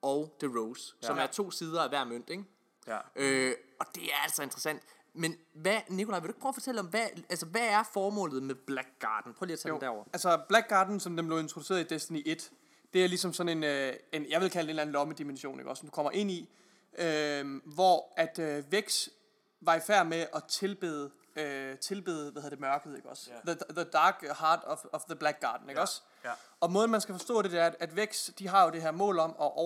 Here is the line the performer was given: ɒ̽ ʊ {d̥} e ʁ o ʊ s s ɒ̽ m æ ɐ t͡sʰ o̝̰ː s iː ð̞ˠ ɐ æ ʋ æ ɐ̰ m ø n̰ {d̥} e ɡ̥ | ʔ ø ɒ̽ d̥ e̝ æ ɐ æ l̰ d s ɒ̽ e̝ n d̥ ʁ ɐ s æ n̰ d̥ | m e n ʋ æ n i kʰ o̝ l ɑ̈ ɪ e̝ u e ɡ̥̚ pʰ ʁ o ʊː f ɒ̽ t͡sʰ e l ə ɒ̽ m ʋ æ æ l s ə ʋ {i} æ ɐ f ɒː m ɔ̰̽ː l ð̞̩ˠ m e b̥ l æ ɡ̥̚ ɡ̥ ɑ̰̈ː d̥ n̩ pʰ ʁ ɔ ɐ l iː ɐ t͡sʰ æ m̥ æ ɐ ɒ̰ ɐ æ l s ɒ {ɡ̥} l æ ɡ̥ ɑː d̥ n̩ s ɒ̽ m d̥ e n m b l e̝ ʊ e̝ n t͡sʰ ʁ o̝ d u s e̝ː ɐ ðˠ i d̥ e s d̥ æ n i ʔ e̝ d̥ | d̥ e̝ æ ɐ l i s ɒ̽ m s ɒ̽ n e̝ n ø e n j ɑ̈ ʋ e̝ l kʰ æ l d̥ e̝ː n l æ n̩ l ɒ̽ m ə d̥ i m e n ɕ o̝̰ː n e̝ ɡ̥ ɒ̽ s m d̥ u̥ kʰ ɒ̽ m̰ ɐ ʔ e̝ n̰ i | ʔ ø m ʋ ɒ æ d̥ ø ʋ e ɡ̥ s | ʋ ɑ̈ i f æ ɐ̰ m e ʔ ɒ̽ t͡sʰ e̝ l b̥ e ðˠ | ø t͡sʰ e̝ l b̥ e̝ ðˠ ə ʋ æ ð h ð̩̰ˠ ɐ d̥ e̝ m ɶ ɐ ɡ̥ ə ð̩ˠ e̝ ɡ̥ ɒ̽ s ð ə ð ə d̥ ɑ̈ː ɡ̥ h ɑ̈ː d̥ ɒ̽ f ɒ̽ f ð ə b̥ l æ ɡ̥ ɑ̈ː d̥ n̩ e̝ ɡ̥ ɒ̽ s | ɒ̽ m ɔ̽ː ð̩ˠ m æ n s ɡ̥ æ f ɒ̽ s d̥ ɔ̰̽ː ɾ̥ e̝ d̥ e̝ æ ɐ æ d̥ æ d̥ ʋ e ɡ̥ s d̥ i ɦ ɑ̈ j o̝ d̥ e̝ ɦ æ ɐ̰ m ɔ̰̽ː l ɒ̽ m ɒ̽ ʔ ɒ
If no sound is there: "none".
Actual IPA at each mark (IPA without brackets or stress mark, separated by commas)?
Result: d̥, d̥, æ, b̥